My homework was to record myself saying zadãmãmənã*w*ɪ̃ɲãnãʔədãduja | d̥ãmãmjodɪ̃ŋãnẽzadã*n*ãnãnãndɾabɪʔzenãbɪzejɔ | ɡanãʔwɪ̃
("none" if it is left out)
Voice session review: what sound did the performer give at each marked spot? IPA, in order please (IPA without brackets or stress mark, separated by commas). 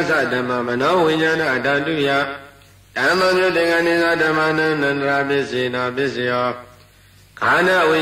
w, m